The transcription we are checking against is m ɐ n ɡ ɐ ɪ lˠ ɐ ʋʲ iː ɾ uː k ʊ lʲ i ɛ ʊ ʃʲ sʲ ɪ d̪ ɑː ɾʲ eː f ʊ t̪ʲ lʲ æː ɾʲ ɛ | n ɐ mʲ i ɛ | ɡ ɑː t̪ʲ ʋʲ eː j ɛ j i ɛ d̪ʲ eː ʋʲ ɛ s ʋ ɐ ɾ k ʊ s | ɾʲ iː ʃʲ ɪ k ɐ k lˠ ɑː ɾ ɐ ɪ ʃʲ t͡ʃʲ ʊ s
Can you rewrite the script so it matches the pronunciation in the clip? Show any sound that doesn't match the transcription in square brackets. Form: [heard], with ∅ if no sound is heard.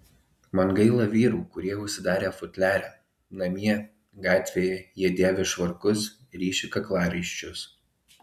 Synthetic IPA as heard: m ɐ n ɡ ɐ ɪ lˠ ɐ ʋʲ iː ɾ uː k ʊ [ɾʲ] i ɛ ʊ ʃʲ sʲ ɪ d̪ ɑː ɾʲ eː f ʊ t̪ʲ lʲ æː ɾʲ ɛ | n ɐ mʲ i ɛ | ɡ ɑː t̪ʲ ʋʲ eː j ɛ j i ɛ d̪ʲ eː ʋʲ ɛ [ʃ] ʋ ɐ ɾ k ʊ s | ɾʲ iː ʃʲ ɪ k ɐ k lˠ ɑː ɾ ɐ ɪ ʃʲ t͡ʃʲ ʊ s

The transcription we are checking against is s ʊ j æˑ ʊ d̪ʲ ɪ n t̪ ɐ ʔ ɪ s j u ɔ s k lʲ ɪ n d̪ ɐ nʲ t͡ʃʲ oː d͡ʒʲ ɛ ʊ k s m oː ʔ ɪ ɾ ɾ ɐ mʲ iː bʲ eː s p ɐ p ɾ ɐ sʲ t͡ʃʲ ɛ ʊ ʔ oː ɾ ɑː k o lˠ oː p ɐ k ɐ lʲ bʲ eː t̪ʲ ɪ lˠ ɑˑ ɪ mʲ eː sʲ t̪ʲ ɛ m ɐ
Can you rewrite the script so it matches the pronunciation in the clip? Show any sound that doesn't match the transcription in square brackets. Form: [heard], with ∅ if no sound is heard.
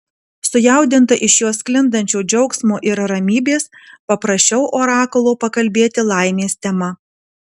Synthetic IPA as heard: s ʊ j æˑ ʊ d̪ʲ ɪ n t̪ ɐ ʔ ɪ [ʃ] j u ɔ s k lʲ ɪ n d̪ ɐ nʲ t͡ʃʲ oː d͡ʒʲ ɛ ʊ k s m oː ʔ ɪ ɾ ɾ ɐ mʲ iː bʲ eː s p ɐ p ɾ ɐ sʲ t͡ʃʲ ɛ ʊ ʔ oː ɾ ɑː k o lˠ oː p ɐ k ɐ lʲ bʲ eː t̪ʲ ɪ lˠ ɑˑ ɪ mʲ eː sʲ t̪ʲ ɛ m ɐ

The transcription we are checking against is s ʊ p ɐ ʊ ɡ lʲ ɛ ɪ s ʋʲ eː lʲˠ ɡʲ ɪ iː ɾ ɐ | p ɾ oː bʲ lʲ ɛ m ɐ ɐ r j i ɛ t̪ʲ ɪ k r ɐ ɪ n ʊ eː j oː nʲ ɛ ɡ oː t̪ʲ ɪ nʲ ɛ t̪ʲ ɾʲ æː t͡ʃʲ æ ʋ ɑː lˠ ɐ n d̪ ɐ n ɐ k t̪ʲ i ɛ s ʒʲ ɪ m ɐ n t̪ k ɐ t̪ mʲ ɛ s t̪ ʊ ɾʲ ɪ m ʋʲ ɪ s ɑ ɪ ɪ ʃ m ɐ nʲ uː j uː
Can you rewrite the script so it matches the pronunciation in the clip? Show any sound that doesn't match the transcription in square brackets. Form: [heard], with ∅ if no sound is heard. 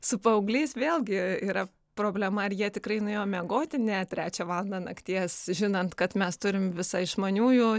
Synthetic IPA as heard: s ʊ p ɐ ʊ ɡ lʲ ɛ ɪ s ʋʲ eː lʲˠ ɡʲ ɪ iː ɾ ɐ | p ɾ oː bʲ lʲ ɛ m ɐ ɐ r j i ɛ t̪ʲ ɪ k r ɐ ɪ n ʊ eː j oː [mʲ] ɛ ɡ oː t̪ʲ ɪ nʲ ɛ t̪ʲ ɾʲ æː t͡ʃʲ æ ʋ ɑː lˠ ɐ n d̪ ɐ n ɐ k t̪ʲ i ɛ s ʒʲ ɪ [n] ɐ n t̪ k ɐ t̪ mʲ ɛ s t̪ ʊ ɾʲ ɪ m ʋʲ ɪ s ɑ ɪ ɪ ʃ m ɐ nʲ uː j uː

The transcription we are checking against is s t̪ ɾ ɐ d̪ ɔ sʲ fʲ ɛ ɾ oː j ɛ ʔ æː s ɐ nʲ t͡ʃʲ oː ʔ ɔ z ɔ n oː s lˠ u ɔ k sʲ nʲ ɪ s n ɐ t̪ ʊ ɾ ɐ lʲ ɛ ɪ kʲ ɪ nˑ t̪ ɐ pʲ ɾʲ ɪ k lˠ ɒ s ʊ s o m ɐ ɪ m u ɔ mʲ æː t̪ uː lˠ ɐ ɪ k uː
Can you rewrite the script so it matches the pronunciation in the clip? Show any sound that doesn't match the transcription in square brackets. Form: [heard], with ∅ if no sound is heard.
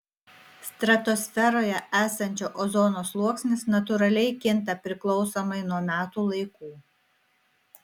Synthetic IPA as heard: s t̪ ɾ ɐ [t̪] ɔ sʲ fʲ ɛ ɾ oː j ɛ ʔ æː s ɐ nʲ t͡ʃʲ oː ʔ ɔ z ɔ n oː s lˠ u ɔ k sʲ nʲ ɪ s n ɐ t̪ ʊ ɾ ɐ lʲ ɛ ɪ kʲ ɪ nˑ t̪ ɐ pʲ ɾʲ ɪ k lˠ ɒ [∅] ʊ s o m ɐ ɪ [n] u ɔ mʲ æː t̪ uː lˠ ɐ ɪ k uː

